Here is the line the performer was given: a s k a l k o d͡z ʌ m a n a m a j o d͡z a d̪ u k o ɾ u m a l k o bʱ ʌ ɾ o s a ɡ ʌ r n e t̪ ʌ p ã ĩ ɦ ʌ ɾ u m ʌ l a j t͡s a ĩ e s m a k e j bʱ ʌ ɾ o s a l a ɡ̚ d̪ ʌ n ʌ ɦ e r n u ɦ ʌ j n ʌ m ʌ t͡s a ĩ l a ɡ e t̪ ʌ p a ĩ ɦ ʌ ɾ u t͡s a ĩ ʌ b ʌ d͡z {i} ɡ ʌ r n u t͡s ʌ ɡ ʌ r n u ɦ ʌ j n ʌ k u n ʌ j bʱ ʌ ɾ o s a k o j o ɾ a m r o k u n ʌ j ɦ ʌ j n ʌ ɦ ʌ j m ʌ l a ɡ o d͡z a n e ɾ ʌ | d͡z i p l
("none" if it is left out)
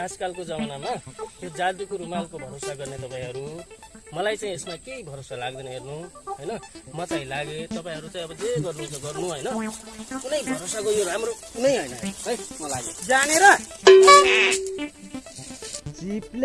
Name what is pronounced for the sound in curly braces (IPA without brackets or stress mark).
e